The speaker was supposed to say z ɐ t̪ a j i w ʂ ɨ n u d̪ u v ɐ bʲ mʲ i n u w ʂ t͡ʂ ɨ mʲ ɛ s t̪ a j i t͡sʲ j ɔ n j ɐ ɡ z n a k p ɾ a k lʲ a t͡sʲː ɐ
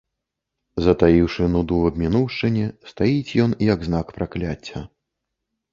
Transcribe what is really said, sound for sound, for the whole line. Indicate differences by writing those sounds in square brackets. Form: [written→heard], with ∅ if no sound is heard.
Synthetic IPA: z ɐ t̪ a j i w ʂ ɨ n u d̪ u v ɐ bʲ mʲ i n u w ʂ t͡ʂ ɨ [mʲ→nʲ] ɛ s t̪ a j i t͡sʲ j ɔ n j ɐ ɡ z n a k p ɾ a k lʲ a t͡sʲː ɐ